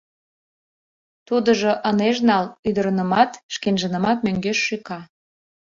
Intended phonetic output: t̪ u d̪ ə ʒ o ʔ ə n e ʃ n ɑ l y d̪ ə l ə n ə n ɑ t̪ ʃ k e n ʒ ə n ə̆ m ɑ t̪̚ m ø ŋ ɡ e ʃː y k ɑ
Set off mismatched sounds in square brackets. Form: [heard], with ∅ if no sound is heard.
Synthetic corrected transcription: t̪ u d̪ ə ʒ o ʔ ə n e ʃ n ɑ l y d̪ ə [ɾ] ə n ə [m] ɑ t̪ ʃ k e n ʒ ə n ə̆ m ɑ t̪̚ m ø ŋ ɡ e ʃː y k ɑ